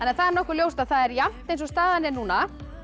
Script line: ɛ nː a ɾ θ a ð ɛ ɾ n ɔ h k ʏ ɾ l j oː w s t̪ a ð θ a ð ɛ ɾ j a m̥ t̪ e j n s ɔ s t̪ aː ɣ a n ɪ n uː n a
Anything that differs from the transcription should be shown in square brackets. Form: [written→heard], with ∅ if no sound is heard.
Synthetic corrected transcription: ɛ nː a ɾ θ a ð ɛ ɾ n ɔ h k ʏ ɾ l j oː w s t̪ a ð θ a ð ɛ ɾ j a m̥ t̪ e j n s ɔ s t̪ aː [ɣ→ð] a n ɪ n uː n a

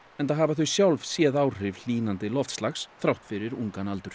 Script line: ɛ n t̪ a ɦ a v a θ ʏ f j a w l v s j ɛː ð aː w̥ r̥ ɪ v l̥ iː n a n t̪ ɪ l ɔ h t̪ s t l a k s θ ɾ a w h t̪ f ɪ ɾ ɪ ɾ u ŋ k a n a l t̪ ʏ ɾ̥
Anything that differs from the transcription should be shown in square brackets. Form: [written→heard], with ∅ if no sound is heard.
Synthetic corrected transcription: ɛ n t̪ a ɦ a v a θ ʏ [f→s] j a w l v s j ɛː ð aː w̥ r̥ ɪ v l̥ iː n a n t̪ ɪ l ɔ [h→f] t̪ s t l a [k→x] s θ ɾ a w h t̪ f ɪ ɾ ɪ ɾ u ŋ k a n a l t̪ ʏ ɾ̥

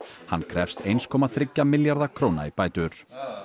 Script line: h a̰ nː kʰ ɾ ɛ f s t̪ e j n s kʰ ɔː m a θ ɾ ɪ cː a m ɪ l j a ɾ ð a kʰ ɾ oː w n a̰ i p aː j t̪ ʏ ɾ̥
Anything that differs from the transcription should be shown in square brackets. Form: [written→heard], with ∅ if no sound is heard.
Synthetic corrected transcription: h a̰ nː kʰ ɾ ɛ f s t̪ e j n s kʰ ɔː m a θ ɾ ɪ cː a m ɪ l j a ɾ ð a kʰ ɾ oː w n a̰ i p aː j t̪ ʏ ɾ̥

